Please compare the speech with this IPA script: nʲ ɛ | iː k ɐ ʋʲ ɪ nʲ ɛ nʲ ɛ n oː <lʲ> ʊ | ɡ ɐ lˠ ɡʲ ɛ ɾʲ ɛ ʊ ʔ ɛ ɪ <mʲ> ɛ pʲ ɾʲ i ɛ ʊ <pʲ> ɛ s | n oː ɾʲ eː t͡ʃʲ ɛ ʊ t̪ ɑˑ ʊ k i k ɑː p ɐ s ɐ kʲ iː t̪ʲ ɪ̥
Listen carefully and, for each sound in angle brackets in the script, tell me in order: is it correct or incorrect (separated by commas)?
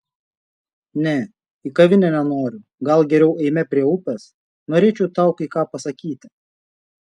incorrect, correct, correct